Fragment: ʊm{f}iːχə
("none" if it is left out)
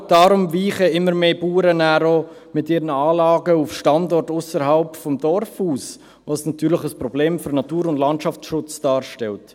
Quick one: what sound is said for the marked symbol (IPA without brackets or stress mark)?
v